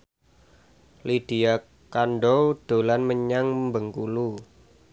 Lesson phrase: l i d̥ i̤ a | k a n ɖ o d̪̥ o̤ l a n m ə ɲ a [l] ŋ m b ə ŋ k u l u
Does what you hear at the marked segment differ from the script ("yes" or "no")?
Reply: yes